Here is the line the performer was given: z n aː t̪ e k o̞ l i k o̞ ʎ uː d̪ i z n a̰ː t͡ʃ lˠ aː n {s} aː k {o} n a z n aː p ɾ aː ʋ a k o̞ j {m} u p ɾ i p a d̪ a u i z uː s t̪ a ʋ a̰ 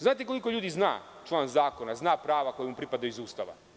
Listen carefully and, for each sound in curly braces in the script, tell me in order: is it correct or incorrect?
incorrect: z, correct, correct

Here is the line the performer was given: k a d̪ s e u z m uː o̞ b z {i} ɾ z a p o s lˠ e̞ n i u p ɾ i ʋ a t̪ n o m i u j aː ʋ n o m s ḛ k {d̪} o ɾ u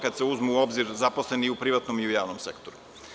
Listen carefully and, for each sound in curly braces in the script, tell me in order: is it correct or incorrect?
correct, incorrect: t̪

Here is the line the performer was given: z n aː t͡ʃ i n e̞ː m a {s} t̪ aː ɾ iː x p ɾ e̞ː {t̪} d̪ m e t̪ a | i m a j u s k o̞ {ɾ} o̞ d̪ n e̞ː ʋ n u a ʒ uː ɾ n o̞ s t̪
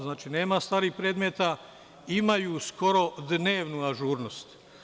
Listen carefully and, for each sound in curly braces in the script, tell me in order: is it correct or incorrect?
correct, incorrect: none, correct

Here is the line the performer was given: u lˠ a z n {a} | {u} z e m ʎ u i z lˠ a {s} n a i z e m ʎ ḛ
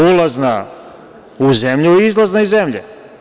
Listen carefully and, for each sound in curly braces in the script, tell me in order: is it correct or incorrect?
correct, correct, incorrect: z

